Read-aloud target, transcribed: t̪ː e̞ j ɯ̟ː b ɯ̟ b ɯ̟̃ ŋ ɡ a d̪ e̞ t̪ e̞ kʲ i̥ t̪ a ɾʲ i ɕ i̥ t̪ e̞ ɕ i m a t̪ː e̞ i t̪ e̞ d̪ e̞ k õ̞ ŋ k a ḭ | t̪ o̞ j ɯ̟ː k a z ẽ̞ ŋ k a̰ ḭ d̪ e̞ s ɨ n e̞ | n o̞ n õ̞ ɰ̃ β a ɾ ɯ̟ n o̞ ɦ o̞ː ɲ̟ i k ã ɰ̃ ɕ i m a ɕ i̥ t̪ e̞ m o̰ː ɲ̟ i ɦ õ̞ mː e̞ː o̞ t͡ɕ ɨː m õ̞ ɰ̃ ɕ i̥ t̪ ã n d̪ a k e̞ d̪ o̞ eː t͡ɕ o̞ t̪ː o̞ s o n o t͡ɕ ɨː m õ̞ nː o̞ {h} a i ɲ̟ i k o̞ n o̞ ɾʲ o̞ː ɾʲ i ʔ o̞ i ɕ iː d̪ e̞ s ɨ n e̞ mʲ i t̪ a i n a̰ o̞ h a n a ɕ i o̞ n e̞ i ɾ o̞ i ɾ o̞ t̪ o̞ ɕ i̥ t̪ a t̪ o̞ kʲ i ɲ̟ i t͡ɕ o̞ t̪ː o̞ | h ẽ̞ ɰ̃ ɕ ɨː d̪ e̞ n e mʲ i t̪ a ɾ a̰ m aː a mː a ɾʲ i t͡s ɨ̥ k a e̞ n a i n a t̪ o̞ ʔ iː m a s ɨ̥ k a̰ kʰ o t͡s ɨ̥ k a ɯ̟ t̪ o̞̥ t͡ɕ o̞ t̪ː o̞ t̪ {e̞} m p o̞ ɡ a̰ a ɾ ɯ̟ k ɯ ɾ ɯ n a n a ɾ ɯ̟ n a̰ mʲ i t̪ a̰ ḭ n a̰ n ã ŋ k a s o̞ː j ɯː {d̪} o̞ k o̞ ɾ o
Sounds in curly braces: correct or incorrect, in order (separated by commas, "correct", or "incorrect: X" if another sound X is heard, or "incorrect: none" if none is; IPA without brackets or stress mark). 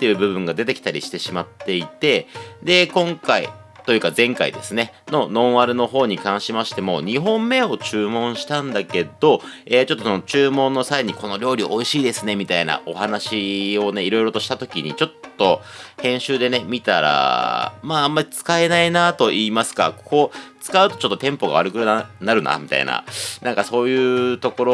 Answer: incorrect: s, incorrect: ẽ̞, incorrect: t̪